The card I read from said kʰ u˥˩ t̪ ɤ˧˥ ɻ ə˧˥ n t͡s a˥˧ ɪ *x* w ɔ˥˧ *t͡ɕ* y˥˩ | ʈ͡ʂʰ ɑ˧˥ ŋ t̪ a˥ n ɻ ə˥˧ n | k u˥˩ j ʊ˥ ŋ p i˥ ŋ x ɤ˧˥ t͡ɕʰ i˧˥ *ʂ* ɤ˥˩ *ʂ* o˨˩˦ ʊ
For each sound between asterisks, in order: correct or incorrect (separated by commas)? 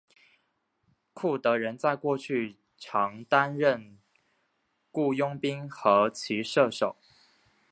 incorrect, incorrect, correct, correct